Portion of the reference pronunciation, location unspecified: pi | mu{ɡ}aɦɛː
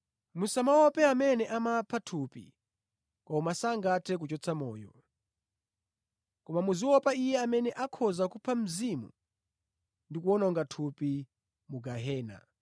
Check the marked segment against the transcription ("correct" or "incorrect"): correct